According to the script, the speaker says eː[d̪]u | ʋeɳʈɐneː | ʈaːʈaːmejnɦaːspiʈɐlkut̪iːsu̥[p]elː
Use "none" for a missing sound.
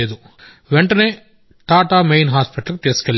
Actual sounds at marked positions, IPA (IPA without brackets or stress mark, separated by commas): d̪, k